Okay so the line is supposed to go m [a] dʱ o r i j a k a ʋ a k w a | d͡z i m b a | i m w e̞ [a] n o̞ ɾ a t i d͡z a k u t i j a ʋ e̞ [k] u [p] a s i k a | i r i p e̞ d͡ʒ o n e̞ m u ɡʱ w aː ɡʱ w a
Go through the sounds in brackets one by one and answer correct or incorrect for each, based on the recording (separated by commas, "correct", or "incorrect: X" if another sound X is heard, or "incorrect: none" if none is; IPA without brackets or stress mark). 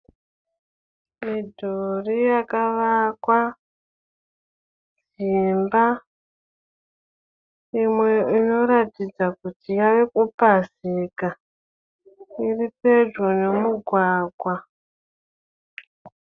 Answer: incorrect: i, incorrect: i, correct, correct